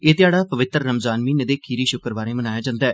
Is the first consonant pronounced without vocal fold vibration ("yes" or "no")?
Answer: yes